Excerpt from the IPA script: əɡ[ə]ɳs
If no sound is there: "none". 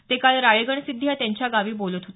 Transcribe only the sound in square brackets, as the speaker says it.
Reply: ə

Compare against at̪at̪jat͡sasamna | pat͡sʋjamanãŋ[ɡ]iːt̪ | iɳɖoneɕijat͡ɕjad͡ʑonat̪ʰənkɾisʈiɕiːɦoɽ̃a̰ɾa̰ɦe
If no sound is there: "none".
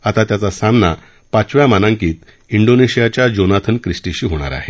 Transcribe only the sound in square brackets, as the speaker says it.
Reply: k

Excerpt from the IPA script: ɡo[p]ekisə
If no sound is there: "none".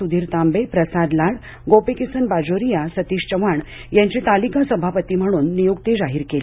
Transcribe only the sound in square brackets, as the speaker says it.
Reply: p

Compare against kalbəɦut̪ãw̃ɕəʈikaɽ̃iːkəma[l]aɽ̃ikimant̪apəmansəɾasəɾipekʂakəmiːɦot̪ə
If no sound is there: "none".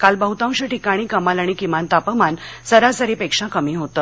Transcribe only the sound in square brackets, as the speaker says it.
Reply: l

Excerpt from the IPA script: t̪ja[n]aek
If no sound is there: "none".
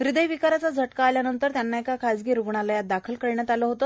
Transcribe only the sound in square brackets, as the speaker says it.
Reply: nː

